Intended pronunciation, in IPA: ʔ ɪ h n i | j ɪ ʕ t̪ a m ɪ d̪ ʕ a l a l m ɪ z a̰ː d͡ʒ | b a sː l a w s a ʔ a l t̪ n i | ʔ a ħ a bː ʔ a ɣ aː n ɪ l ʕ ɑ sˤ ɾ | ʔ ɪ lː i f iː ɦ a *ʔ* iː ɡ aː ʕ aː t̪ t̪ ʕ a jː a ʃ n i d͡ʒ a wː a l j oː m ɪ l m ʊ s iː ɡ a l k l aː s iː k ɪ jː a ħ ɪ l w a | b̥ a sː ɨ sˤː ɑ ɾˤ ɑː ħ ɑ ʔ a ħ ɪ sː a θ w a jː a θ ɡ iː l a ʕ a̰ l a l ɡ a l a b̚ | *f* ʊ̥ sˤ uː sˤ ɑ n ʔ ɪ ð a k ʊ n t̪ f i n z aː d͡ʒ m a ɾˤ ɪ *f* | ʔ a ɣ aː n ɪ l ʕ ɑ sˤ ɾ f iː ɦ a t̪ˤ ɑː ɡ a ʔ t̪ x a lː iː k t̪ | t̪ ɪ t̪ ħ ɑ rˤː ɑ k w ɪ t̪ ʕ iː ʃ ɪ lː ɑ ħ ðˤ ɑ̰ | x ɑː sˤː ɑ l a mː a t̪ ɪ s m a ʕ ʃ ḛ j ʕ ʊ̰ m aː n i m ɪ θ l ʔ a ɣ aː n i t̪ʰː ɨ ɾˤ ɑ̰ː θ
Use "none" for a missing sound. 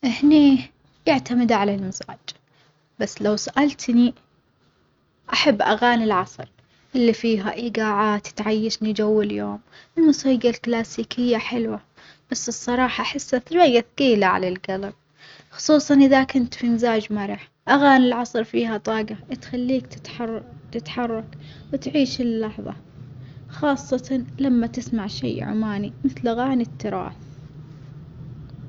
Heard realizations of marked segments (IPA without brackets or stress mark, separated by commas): ʔ, x, ħ